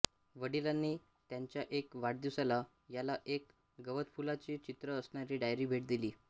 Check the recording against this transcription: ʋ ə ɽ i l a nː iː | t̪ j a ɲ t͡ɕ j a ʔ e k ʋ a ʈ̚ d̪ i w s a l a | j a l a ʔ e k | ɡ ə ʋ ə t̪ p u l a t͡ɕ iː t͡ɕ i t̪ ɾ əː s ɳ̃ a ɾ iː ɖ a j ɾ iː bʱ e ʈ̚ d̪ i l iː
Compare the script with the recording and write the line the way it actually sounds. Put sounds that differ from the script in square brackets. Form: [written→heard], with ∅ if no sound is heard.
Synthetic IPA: ʋ ə ɽ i l a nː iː | t̪ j a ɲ t͡ɕ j a ʔ e k ʋ a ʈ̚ d̪ i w s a l a | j a l a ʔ e k | ɡ ə ʋ ə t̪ p u l a t͡ɕ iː t͡ɕ i t̪ ɾ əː s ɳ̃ a ɾ iː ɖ a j ɾ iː bʱ e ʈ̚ d̪ i l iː